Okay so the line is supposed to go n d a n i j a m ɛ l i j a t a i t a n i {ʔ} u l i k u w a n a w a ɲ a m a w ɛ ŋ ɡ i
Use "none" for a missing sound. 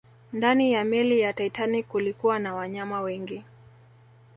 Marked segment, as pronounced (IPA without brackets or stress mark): k